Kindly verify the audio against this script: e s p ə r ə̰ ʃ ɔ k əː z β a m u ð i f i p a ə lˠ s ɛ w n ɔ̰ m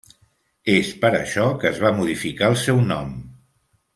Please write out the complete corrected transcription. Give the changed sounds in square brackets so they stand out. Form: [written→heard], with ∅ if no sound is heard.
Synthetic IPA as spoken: e s p ə [r→ɾ] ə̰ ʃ ɔ k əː z β a m u ð i f i [p→k] a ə lˠ s ɛ w n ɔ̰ m